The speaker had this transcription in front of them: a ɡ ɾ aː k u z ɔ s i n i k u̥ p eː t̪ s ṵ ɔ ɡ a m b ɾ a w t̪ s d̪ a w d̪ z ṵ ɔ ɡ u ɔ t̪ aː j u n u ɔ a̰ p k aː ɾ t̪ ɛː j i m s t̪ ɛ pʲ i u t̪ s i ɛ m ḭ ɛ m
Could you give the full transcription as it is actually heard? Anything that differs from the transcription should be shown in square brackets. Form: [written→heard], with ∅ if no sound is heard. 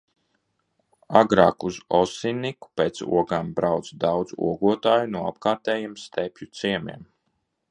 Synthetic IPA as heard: a ɡ ɾ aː k u z ɔ s i n i k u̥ p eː t̪ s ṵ ɔ ɡ a m b ɾ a w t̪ s d̪ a w d̪ z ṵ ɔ ɡ u ɔ t̪ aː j u n u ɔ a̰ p k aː ɾ t̪ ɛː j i m s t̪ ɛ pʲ [i→j] u t̪ s i ɛ m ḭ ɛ m